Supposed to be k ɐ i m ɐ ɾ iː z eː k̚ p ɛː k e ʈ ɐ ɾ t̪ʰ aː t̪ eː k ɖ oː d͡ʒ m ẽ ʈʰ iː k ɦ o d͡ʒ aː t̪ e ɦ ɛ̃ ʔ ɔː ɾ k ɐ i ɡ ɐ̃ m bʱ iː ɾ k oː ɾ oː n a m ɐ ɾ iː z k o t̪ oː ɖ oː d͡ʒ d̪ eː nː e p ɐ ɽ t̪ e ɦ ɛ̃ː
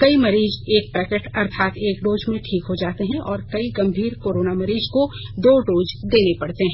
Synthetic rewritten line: k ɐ i m ɐ ɾ iː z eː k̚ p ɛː k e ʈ ɐ ɾ t̪ʰ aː t̪ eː k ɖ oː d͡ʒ m ẽ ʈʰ iː k ɦ o d͡ʒ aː t̪ e ɦ ɛ̃ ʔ ɔː ɾ k ɐ i ɡ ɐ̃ m bʱ iː ɾ k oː ɾ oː n a m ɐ ɾ iː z k o d̪ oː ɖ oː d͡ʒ d̪ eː n e p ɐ ɽ t̪ e ɦ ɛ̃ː